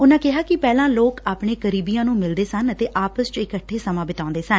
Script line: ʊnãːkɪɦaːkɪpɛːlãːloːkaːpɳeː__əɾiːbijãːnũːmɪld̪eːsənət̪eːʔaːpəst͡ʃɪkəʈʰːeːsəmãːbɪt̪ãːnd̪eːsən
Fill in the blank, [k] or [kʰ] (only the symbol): k